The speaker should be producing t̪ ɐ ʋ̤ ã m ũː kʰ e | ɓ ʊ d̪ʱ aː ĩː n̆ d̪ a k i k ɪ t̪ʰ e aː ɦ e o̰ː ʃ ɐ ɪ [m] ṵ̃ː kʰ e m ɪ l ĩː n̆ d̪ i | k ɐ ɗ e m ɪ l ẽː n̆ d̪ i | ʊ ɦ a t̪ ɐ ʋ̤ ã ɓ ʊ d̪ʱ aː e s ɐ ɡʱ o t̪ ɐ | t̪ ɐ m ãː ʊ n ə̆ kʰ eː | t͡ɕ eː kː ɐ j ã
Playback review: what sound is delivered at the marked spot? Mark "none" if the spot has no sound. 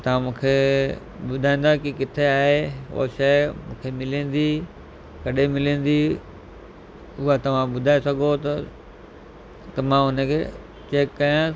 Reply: m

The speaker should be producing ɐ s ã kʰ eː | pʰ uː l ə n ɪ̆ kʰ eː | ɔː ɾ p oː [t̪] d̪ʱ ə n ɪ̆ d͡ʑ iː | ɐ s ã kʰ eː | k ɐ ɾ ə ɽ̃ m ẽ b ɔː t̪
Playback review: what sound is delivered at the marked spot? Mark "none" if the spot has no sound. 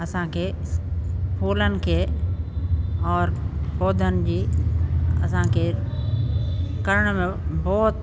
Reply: none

